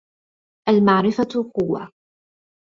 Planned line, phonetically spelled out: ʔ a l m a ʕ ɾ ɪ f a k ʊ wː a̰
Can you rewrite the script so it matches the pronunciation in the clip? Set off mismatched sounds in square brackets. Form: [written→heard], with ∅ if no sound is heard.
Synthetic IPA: ʔ a l m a ʕ ɾ ɪ f a [k→q] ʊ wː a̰